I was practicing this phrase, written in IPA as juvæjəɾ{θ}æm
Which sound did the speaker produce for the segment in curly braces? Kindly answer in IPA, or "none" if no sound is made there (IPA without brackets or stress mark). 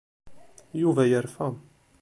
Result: f